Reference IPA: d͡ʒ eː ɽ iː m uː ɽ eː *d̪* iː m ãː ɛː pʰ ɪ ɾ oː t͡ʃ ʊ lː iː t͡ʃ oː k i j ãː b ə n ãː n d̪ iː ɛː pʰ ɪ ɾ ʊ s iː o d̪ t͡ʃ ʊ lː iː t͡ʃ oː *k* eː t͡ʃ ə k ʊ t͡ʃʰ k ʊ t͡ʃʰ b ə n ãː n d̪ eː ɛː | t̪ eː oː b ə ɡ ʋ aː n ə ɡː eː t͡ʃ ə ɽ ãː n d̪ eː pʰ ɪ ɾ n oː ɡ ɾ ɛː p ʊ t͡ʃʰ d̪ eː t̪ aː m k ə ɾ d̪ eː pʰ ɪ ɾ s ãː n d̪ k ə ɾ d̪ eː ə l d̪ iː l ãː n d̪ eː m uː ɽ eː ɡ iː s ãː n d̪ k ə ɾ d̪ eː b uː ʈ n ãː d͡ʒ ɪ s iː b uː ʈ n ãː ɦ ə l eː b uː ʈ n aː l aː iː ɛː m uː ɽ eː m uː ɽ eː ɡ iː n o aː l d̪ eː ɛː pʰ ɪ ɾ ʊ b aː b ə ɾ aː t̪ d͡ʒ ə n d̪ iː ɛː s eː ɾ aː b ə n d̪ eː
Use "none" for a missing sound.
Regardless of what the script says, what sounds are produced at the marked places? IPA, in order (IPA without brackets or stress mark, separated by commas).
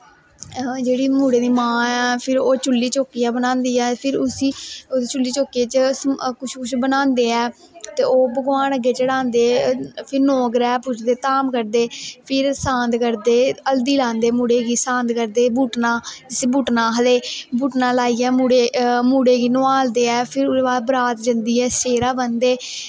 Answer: d̪, k